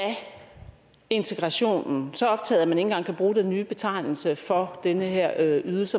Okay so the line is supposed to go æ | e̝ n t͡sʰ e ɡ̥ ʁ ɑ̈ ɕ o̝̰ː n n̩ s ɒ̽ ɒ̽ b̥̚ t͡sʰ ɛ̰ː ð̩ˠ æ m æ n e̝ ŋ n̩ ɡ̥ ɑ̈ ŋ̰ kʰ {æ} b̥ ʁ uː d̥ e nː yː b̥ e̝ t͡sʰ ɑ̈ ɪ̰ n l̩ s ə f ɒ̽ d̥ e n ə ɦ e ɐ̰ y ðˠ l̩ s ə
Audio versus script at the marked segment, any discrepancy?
no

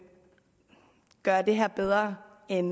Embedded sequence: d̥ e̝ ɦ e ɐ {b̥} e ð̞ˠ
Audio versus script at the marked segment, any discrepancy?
no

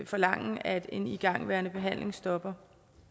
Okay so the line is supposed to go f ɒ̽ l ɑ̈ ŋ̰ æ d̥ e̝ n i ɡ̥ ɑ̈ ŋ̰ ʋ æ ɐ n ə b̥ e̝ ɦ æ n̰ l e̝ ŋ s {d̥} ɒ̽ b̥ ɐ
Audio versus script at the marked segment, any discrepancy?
no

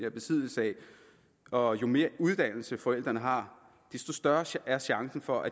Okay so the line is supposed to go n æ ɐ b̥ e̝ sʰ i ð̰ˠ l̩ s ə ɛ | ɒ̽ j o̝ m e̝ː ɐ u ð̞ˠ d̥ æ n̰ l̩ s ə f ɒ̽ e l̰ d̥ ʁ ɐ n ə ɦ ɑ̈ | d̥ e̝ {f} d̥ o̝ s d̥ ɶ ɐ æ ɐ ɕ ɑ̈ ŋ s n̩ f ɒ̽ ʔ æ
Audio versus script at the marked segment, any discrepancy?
yes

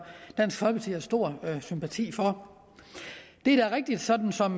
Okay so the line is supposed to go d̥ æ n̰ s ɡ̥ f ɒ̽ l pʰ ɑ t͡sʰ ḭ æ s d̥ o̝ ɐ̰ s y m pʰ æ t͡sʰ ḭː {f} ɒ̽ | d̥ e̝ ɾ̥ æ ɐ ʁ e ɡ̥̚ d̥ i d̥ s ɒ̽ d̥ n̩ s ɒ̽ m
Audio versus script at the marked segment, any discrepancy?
no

